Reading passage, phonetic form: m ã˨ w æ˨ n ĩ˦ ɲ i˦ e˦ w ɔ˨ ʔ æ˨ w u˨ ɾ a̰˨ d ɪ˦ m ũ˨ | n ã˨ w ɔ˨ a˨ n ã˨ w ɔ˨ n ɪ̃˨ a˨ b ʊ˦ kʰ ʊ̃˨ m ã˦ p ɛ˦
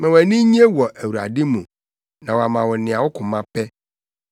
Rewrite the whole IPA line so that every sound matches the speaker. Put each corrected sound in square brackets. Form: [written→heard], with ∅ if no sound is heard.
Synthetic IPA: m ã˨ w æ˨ n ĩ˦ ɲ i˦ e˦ w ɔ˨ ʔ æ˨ w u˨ ɾ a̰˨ d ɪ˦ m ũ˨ | n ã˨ w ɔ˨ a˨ [n→m] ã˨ w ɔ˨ n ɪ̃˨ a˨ [b→w] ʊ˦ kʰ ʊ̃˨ m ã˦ p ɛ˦